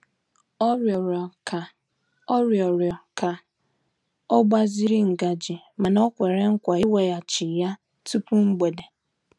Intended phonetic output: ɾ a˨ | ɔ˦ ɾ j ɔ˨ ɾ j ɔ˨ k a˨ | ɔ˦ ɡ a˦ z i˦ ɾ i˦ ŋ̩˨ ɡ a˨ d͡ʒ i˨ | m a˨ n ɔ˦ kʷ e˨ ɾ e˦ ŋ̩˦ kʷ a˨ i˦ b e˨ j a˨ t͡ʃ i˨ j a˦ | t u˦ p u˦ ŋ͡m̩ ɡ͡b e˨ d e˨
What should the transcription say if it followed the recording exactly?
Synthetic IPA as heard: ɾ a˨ | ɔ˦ ɾ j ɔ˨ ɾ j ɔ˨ k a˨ | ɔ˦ ɡ͡b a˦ z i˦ ɾ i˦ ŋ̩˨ ɡ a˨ d͡ʒ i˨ | m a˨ n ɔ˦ kʷ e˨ ɾ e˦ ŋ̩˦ kʷ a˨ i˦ w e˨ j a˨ t͡ʃ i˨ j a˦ | t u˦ p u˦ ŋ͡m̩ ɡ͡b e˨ d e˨